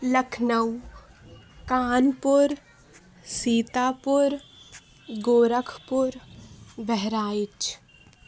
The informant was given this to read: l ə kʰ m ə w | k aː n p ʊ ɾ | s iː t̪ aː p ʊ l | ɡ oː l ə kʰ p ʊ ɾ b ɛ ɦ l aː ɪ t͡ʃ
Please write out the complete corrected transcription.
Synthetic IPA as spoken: l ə kʰ n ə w | k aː n p ʊ ɾ | s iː t̪ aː p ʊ ɾ | ɡ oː ɾ ə kʰ p ʊ ɾ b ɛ ɦ ɾ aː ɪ t͡ʃ